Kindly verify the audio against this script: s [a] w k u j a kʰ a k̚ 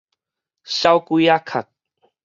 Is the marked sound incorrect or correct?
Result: correct